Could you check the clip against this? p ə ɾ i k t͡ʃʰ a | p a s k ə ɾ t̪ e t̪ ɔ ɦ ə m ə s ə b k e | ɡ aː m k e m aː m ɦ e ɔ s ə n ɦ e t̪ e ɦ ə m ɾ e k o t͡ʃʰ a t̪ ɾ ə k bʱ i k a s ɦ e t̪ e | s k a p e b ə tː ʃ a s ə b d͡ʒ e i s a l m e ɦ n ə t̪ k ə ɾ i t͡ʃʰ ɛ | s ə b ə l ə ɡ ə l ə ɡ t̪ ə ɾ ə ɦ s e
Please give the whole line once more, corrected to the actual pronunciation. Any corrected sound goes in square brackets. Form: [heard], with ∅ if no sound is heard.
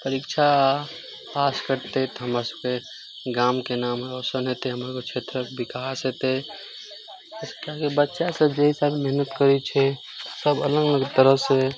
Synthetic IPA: p ə ɾ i k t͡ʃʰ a | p a s k ə ɾ t̪ e t̪ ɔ ɦ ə m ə s ə b k e | ɡ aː m k e [n] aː m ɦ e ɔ s ə n ɦ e t̪ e ɦ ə m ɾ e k o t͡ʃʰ [e] t̪ ɾ ə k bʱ i k a s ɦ e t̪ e | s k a [k] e b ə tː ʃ a s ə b d͡ʒ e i s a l m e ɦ n ə t̪ k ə ɾ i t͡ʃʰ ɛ | s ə b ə l ə ɡ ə l ə ɡ t̪ ə ɾ ə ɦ s e